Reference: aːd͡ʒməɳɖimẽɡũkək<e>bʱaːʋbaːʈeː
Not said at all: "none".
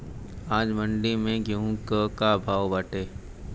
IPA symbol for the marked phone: a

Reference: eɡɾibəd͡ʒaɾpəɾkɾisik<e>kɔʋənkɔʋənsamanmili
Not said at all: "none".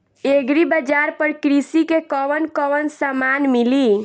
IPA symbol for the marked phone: e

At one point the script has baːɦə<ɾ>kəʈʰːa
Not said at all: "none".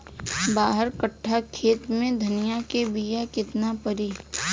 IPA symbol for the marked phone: ɾ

